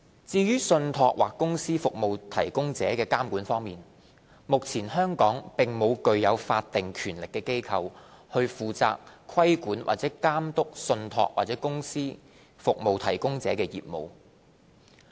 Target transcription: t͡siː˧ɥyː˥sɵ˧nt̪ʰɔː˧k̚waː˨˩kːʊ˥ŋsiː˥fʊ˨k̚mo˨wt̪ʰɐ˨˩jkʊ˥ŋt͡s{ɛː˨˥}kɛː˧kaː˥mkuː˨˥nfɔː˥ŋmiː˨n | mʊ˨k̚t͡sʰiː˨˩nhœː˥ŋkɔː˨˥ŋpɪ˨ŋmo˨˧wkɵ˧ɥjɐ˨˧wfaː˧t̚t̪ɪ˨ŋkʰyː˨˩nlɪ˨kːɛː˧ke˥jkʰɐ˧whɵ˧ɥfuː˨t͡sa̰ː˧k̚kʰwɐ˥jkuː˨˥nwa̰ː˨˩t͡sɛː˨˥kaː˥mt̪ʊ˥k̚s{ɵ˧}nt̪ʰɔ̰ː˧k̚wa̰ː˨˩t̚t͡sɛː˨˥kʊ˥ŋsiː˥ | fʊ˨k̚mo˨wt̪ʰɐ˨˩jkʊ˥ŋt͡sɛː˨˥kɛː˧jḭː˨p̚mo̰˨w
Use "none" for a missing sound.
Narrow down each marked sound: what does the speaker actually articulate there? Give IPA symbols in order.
ɛː˨˥, ɵ˧

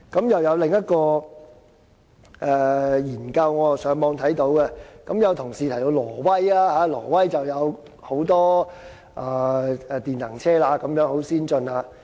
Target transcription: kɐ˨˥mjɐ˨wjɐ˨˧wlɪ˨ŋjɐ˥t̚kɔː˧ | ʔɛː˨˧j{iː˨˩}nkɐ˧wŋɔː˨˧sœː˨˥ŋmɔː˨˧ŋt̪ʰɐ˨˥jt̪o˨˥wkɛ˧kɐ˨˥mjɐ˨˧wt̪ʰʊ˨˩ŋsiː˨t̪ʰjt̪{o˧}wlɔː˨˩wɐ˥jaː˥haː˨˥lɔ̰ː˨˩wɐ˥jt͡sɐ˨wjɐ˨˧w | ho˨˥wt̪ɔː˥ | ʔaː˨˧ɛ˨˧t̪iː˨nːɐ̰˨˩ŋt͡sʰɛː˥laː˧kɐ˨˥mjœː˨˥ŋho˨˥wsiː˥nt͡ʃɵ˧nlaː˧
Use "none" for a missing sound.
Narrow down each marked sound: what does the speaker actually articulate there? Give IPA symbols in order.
iː˨˩, o˧

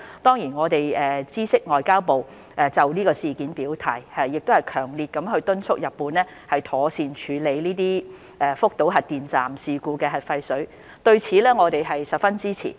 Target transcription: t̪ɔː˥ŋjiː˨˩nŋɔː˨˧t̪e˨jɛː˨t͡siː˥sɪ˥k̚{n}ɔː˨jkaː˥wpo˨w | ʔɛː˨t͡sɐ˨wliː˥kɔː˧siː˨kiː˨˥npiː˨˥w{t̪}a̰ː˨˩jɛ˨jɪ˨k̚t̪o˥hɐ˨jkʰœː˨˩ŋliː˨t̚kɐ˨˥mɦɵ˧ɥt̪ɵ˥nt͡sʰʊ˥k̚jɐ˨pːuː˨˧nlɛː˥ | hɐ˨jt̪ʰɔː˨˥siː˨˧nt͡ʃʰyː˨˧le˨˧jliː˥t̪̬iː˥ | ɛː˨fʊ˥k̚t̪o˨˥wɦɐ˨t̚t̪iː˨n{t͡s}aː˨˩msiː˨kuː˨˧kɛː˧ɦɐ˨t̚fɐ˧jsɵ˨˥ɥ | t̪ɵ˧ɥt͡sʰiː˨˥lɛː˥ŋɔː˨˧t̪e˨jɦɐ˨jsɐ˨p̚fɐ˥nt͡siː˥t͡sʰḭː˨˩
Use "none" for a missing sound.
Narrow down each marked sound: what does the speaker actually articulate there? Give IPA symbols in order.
ŋ, t̪ʰ, t͡s

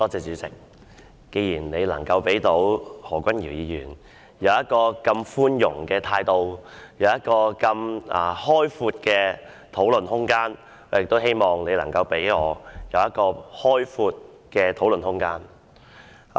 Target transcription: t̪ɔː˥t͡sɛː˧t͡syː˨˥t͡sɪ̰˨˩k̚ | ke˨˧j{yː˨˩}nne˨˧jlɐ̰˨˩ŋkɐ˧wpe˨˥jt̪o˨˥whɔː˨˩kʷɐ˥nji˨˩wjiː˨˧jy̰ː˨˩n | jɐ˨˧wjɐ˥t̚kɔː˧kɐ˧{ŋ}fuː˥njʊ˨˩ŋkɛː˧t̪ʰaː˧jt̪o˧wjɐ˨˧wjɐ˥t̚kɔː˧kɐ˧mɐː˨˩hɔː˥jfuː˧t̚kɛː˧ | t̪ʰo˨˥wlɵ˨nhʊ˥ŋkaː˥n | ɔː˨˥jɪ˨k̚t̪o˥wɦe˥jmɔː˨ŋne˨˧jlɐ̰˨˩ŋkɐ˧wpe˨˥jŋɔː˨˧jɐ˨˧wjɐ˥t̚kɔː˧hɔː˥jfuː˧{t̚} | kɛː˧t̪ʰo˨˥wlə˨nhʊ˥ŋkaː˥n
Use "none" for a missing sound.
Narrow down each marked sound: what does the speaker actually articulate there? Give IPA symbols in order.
iː˨˩, m, t̚

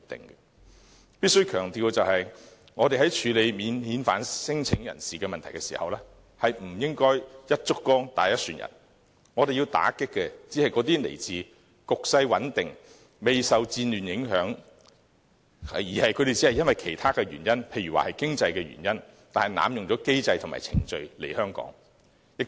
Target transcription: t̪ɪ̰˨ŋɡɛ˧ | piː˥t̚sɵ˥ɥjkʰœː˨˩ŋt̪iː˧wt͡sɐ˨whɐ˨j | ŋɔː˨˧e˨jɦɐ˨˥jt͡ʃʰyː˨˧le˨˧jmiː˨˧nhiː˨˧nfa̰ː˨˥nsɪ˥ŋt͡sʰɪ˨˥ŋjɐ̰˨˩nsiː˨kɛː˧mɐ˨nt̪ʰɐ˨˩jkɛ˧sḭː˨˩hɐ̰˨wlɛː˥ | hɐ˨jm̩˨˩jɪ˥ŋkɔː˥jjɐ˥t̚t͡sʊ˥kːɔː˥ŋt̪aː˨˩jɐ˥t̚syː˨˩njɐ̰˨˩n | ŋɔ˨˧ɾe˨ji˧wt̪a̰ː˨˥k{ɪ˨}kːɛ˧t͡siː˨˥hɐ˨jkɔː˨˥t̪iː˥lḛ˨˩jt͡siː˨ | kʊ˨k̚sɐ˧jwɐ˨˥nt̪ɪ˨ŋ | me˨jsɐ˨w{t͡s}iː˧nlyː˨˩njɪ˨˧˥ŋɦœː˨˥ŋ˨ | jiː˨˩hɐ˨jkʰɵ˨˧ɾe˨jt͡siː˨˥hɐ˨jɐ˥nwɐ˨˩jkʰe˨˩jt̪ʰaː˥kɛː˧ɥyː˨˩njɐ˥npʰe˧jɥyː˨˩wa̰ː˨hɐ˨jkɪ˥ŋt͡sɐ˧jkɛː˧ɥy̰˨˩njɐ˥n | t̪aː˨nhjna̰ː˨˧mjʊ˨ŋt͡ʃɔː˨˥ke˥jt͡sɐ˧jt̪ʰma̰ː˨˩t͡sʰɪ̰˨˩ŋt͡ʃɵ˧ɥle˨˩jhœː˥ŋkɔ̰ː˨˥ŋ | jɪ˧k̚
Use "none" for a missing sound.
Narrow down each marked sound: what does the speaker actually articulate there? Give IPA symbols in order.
ɪ˥, t͡s

